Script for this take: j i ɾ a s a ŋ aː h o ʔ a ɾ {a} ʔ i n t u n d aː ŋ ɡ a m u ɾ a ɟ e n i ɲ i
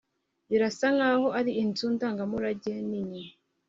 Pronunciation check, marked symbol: incorrect: i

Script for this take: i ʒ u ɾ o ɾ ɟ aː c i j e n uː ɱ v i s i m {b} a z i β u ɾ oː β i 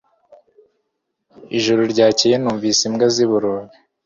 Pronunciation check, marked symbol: incorrect: ɡ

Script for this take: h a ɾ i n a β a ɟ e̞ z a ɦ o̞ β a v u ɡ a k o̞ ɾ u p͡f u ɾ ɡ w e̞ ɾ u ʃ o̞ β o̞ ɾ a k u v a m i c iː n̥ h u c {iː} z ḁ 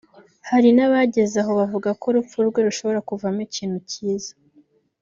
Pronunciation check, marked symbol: correct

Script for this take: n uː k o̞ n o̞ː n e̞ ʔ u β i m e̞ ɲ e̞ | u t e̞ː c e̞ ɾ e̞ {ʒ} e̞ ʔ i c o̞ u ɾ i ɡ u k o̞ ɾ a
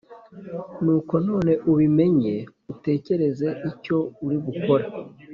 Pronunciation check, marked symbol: incorrect: z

